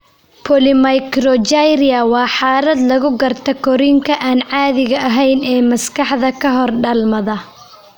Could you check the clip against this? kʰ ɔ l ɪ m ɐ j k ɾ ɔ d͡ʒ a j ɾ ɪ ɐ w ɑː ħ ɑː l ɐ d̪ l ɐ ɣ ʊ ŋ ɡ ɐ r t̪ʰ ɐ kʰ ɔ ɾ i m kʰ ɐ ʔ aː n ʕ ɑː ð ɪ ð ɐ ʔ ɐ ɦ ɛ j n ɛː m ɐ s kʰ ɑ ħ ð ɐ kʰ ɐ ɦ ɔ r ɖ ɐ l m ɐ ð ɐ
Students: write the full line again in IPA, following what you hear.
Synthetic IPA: pʰ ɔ l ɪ m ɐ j k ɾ ɔ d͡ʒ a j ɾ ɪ ɐ w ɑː ħ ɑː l ɐ d̪ l ɐ ɣ ʊ ɡ ɐ r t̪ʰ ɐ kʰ ɔ ɾ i ŋ kʰ ɐ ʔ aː n ʕ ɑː ð ɪ ɣ ɐ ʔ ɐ ɦ ɛ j n ɛː m ɐ s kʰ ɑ ħ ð ɐ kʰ ɐ ɦ ɔ r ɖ ɐ l m ɐ ð ɐ